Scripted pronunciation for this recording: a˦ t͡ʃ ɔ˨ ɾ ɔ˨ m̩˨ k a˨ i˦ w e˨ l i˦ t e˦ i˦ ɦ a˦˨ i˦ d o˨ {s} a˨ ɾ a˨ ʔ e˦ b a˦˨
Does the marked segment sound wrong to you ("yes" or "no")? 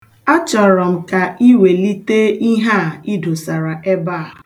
no